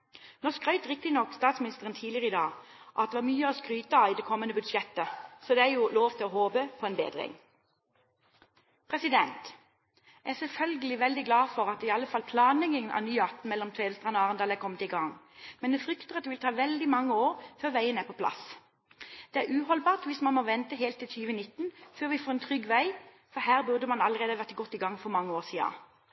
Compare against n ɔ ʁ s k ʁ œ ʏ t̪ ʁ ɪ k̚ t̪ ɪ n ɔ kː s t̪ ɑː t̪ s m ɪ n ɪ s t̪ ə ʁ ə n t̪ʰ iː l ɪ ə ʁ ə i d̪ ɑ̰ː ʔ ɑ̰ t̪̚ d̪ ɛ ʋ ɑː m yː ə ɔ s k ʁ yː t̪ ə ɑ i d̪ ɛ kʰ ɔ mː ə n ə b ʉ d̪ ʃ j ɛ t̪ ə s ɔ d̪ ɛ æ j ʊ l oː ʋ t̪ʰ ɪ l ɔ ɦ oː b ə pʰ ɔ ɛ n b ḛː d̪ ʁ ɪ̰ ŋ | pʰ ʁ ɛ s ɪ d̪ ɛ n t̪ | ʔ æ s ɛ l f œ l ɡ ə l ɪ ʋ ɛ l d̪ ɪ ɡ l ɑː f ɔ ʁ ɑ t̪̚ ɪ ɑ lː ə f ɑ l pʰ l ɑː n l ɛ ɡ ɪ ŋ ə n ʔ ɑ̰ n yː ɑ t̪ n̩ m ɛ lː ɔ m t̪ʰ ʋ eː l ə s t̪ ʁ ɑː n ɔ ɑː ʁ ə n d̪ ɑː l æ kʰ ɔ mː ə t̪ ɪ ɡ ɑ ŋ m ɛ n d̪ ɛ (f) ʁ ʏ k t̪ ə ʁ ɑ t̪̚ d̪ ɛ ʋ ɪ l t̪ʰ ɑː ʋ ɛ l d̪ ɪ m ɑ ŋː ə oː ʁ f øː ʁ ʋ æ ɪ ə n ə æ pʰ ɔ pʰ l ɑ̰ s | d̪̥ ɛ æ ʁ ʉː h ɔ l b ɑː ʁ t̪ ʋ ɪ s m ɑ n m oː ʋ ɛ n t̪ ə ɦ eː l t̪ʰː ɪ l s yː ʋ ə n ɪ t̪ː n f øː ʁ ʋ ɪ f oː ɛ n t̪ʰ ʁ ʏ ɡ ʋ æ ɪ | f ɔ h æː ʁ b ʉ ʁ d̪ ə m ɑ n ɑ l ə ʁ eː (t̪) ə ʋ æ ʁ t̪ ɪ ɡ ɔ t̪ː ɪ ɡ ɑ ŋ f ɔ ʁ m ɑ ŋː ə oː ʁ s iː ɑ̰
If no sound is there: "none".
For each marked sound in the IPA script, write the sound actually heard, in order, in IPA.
f, d̪

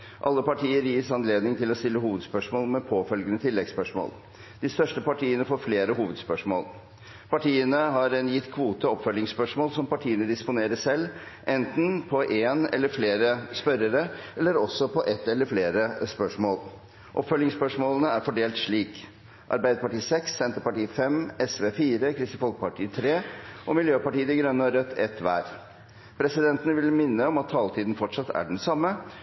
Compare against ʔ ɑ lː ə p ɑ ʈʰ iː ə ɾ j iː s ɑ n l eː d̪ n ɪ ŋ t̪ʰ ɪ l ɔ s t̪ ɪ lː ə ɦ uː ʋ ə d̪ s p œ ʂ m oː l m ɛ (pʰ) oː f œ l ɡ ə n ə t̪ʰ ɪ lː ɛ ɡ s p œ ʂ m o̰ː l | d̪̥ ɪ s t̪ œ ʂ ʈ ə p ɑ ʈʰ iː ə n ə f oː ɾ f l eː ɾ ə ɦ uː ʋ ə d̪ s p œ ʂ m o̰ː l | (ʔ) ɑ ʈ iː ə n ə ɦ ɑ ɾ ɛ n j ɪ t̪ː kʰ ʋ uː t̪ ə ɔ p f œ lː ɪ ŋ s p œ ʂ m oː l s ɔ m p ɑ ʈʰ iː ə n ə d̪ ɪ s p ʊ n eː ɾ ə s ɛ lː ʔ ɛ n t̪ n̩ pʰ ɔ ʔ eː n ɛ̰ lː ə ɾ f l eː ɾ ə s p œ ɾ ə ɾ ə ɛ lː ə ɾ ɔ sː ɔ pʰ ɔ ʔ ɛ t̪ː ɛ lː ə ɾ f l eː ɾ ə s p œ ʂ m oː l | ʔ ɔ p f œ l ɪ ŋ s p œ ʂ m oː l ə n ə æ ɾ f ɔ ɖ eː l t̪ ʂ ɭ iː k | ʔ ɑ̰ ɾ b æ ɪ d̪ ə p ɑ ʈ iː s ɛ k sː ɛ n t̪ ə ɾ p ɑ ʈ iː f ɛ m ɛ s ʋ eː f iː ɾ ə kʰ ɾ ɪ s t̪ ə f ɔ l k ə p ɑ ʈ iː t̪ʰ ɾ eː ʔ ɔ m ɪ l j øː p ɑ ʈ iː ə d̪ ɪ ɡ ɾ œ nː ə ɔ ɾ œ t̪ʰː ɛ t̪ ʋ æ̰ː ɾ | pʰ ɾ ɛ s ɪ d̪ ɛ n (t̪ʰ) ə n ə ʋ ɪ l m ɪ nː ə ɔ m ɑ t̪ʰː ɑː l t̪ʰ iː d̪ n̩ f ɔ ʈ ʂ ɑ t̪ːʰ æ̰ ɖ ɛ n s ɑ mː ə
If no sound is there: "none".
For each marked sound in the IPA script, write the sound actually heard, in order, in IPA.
pʰ, p, t̪

